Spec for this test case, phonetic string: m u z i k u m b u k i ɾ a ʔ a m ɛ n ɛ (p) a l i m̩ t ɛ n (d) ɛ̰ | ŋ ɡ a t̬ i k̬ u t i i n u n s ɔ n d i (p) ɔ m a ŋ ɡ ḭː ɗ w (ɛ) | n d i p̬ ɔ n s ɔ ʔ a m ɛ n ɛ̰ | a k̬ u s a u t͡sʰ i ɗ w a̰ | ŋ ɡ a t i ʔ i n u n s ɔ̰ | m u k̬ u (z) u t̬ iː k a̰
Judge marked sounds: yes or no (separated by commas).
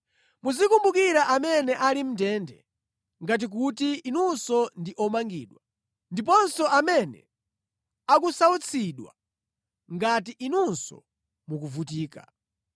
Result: no, yes, no, no, no